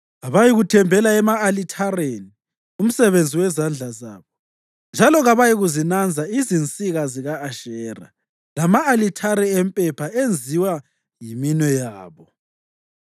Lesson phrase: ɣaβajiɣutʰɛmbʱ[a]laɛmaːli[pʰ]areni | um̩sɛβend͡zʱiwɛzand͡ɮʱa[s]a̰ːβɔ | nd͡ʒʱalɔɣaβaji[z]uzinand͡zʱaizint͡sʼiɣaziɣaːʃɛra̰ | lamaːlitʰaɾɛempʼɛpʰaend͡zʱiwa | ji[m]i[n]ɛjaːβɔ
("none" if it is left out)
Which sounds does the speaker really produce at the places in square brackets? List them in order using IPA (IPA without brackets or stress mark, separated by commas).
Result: ɛ, tʰ, z, ɣ, m, n